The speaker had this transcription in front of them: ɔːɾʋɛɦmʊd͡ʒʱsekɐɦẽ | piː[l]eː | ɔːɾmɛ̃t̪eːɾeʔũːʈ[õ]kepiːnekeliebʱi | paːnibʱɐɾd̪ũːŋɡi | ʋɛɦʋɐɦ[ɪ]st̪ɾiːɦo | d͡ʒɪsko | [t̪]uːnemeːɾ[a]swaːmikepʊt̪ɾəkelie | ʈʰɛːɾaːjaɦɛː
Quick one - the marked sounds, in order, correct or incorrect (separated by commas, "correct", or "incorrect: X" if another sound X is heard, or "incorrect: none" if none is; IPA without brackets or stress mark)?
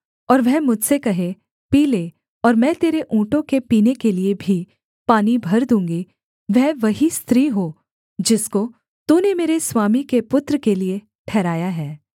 correct, correct, incorrect: i, correct, incorrect: e